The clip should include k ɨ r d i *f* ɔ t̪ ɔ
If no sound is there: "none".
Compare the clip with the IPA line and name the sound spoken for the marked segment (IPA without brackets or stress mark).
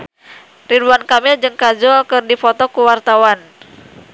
f